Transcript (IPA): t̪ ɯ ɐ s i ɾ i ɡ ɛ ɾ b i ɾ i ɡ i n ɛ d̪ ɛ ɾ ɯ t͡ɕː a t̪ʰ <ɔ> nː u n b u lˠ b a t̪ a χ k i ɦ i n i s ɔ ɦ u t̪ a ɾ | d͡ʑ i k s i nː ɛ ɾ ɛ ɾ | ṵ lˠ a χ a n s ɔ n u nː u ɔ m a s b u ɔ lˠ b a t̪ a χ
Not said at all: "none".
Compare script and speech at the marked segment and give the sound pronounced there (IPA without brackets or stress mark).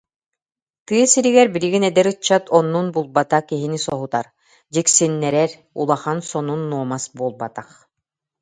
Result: ɔ